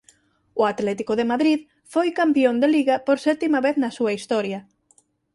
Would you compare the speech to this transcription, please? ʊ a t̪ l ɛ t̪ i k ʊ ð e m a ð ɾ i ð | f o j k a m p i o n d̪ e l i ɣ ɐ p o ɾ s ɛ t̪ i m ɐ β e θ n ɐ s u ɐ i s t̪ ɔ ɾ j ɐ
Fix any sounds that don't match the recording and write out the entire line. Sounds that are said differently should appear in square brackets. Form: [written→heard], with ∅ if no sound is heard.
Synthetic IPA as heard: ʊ a t̪ l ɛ t̪ i k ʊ ð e m a ð ɾ i ð | f o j k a m p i o n d̪ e l i ɣ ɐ p o ɾ s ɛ t̪ i m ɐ β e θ n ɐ s u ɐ i s t̪ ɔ ɾ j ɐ